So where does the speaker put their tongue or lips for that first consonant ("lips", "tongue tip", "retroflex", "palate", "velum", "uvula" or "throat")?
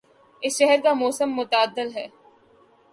tongue tip